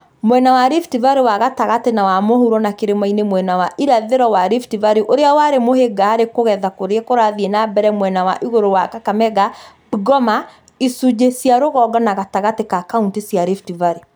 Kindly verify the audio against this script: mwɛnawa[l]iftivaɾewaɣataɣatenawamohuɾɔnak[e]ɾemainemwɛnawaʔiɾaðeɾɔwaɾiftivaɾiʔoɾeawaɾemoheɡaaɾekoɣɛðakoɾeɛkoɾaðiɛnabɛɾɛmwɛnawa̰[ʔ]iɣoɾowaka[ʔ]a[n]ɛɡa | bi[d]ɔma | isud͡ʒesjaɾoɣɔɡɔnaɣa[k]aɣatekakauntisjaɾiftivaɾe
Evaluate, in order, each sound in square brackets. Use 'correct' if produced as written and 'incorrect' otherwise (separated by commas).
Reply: incorrect, correct, correct, incorrect, incorrect, incorrect, incorrect